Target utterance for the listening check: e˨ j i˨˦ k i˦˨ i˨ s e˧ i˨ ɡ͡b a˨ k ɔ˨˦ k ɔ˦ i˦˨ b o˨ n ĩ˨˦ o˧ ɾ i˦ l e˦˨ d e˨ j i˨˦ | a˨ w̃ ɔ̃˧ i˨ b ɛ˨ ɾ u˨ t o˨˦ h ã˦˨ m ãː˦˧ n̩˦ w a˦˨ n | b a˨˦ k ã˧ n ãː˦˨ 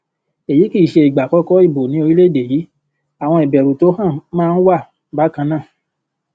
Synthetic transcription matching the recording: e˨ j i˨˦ k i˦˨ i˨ ʃ e˧ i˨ ɡ͡b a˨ k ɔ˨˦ k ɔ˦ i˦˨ b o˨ n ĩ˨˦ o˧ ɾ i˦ l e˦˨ d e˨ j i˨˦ | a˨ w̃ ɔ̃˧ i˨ b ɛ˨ ɾ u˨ t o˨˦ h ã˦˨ m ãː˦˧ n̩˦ w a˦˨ | b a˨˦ k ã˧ n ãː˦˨